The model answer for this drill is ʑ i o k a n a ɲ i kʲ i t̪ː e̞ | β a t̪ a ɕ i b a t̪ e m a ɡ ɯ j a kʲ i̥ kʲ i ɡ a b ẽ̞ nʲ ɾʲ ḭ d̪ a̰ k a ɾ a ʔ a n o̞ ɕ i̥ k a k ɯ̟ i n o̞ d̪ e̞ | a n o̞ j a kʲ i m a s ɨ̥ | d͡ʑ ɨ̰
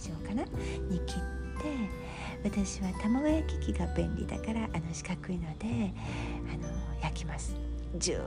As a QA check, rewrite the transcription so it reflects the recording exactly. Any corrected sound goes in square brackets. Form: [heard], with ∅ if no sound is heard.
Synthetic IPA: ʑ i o k a n a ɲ i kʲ i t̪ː e̞ | β a t̪ a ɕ i [β] a t̪ [a] m a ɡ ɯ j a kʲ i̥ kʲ i ɡ a b ẽ̞ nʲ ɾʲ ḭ d̪ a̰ k a ɾ a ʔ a n o̞ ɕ i̥ k a k ɯ̟ i n o̞ d̪ e̞ | a n o̞ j a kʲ i m a s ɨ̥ | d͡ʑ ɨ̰